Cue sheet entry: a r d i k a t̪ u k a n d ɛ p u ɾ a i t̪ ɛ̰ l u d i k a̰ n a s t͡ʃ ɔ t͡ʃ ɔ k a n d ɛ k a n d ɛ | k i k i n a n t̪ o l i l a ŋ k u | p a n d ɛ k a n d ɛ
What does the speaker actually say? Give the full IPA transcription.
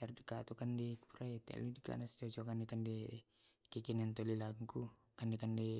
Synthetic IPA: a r d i k a t̪ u k a n d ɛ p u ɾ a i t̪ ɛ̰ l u d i k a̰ n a s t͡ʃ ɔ t͡ʃ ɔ k a n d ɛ k a n d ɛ | k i k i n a n t̪ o l i l a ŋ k u | k a n d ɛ k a n d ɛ